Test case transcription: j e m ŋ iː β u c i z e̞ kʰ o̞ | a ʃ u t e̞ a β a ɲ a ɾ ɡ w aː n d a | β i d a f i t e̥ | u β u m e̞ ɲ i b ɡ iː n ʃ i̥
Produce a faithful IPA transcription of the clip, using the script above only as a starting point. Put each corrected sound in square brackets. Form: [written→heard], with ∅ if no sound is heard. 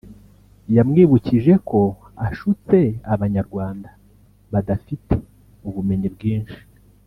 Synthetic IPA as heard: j [e→a] m ŋ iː β u c i [z→ʒ] e̞ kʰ o̞ | a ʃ u [t→t͡s] e̞ a β a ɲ a ɾ ɡ w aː n d a | β [i→a] d a f i t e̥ | u β u m e̞ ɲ i b ɡ iː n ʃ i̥

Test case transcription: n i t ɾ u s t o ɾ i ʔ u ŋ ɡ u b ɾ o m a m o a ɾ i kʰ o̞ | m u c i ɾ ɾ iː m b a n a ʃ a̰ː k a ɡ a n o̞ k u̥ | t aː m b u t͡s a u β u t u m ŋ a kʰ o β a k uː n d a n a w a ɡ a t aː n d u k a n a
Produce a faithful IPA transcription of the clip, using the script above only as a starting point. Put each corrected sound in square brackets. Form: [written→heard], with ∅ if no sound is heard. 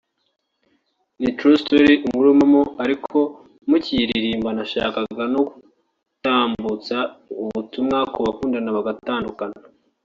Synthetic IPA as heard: n i t ɾ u s t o ɾ i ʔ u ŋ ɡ u [b→∅] ɾ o m a m o a ɾ i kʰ o̞ | m u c i ɾ ɾ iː m b a n a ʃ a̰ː k a ɡ a n o̞ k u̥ | t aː m b u t͡s a u β u t u m ŋ a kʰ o β a k uː n d a n a [w→β] a ɡ a t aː n d u k a n a

